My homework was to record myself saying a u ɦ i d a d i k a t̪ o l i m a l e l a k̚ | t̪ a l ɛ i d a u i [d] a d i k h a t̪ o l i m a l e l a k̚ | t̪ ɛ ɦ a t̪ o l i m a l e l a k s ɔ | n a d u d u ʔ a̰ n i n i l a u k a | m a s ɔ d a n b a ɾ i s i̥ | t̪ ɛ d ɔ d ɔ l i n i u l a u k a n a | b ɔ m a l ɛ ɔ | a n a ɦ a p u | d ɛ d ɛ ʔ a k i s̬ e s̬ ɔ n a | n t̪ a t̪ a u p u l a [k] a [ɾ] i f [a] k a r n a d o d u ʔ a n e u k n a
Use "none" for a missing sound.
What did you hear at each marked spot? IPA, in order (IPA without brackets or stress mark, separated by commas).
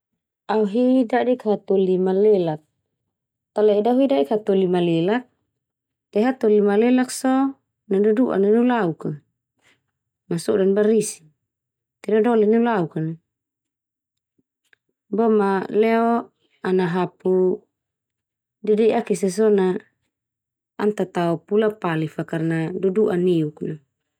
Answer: d, p, l, a